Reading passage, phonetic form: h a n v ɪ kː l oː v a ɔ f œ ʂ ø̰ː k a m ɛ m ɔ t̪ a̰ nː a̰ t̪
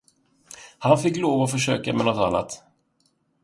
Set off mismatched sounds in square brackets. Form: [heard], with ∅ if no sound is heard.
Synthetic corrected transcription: h a n [f] ɪ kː l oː v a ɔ f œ ʂ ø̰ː k a m ɛ [n] ɔ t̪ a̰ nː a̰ t̪